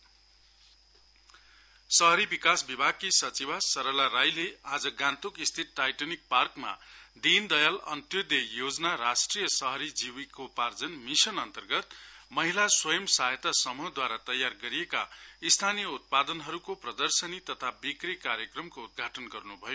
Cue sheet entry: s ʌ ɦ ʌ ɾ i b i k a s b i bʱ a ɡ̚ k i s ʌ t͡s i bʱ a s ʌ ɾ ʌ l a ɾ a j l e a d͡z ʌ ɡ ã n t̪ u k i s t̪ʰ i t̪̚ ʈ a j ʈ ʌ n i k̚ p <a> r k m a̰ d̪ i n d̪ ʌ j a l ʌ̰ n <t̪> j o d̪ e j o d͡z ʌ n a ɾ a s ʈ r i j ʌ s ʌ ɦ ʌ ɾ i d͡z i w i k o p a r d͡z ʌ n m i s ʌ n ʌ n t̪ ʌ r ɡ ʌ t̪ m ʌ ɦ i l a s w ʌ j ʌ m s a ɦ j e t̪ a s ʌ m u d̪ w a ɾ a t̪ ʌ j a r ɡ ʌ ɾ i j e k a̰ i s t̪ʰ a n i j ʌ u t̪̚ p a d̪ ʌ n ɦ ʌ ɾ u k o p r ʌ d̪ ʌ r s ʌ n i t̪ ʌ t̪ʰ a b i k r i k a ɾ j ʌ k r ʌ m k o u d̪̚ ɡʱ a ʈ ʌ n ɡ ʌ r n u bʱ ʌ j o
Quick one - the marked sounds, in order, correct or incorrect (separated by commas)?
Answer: correct, correct